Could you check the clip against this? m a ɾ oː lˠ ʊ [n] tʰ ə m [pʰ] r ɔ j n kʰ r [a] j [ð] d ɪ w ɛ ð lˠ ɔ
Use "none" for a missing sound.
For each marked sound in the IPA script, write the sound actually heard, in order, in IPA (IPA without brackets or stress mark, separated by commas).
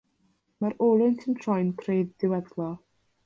n, tʰ, e, ð